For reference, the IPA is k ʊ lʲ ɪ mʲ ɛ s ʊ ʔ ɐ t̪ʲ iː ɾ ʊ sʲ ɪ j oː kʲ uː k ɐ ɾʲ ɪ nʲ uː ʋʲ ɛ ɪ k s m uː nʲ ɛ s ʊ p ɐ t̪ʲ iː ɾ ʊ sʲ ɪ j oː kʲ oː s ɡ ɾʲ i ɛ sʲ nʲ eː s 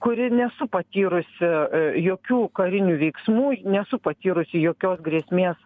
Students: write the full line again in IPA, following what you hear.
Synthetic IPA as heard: k ʊ ɾʲ ɪ nʲ ɛ s ʊ p ɐ t̪ʲ iː ɾ ʊ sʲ ɪ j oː kʲ uː k ɐ ɾʲ ɪ nʲ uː ʋʲ ɛ ɪ k s m uː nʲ ɛ s ʊ p ɐ t̪ʲ iː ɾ ʊ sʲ ɪ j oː kʲ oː s ɡ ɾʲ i ɛ sʲ mʲ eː s